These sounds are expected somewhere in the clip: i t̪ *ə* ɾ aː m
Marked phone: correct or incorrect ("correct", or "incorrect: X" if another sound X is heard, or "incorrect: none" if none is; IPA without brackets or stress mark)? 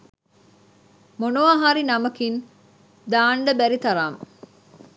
incorrect: ɐ